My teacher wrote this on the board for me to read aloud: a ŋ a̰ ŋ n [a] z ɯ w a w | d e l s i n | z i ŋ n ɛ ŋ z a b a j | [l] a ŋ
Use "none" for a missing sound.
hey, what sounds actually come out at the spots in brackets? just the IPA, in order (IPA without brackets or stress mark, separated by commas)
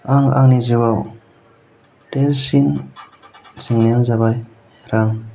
i, ɾ